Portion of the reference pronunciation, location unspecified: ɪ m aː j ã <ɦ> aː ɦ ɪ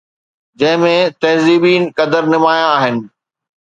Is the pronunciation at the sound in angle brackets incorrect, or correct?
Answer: incorrect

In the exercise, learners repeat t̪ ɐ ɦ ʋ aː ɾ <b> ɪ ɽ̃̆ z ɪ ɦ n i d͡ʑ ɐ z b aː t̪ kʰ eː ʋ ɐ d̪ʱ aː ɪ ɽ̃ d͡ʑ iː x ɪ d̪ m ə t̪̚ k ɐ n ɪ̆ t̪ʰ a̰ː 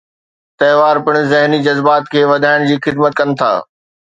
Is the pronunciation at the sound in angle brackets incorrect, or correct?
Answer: incorrect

